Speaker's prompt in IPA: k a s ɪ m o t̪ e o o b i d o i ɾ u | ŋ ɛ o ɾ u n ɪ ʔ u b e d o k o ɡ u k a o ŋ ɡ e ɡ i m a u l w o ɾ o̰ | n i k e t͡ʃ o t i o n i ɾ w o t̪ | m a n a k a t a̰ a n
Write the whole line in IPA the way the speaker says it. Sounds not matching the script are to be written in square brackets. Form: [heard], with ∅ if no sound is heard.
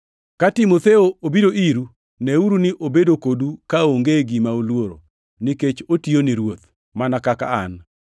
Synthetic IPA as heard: k a [t] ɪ m o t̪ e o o b i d o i ɾ u | [n] ɛ [u] ɾ u n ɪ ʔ [o] b e d o k o [d] u k a o ŋ ɡ e ɡ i m a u l w o ɾ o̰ | n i k e t͡ʃ o t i o n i ɾ w o t̪ | m a n a k a [k] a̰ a n